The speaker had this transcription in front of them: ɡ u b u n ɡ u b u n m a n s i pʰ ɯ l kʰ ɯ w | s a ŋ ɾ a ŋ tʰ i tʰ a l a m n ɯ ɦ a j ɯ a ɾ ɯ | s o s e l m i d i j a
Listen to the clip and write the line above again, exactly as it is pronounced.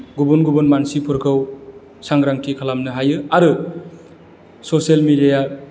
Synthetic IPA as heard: ɡ u b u n ɡ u b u n m a n s i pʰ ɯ ɾ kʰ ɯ w | s a ŋ ɾ a ŋ tʰ i kʰ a l a m n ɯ ɦ a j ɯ a ɾ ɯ | s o s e l m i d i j a